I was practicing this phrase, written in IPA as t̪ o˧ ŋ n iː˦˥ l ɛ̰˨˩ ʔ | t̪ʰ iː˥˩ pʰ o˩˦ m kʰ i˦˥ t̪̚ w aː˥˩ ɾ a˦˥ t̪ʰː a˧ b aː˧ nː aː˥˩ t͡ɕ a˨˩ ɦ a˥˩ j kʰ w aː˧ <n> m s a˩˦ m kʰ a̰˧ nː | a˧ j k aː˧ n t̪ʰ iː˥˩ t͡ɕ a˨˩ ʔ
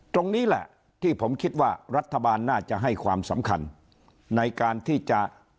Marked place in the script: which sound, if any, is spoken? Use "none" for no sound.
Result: none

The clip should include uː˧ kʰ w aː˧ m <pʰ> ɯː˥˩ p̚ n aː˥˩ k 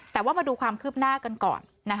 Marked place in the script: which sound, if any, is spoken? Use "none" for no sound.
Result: kʰ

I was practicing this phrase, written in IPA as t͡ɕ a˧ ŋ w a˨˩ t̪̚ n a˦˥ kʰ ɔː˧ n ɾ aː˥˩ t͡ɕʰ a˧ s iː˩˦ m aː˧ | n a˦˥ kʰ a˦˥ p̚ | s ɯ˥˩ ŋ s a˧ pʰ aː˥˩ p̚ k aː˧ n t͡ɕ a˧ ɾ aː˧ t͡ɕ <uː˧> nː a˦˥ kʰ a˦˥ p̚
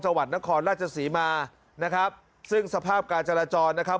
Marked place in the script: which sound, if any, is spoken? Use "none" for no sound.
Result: ɔː˧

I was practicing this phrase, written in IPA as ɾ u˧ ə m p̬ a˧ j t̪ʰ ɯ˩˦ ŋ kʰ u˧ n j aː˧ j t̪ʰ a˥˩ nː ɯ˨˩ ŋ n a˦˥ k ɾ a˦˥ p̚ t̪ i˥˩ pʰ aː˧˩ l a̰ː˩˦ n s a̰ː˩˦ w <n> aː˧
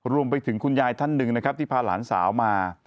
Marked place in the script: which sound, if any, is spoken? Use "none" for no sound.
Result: m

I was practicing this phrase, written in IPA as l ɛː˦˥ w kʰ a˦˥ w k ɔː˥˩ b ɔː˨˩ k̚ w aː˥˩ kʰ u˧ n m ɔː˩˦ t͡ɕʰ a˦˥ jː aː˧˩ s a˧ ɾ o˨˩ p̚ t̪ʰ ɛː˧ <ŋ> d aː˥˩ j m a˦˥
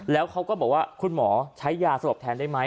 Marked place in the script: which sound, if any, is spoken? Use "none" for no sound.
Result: n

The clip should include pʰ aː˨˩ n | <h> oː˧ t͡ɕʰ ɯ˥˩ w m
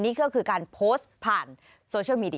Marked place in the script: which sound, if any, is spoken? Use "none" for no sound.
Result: s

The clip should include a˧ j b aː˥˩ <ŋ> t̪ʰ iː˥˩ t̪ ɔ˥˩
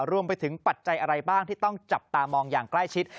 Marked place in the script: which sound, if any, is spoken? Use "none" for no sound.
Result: ŋ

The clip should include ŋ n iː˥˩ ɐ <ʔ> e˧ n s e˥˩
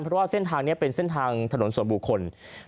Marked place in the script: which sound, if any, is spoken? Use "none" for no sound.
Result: p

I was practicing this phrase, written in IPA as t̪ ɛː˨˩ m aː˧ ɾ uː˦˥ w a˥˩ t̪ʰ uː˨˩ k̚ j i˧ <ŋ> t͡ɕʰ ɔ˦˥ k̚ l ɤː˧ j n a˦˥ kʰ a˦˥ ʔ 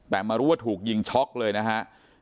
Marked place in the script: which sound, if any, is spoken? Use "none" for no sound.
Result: ŋ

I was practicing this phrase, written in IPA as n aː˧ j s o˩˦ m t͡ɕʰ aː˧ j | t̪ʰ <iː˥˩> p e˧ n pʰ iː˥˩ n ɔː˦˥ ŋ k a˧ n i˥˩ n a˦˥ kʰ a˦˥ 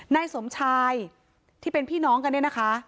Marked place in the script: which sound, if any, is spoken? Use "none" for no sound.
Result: iː˥˩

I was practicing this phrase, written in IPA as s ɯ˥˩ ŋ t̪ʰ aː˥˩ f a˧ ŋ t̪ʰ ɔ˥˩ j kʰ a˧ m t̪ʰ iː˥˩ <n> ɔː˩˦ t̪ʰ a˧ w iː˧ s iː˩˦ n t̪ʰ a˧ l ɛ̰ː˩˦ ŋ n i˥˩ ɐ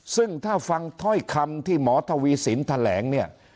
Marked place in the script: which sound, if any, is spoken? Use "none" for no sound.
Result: m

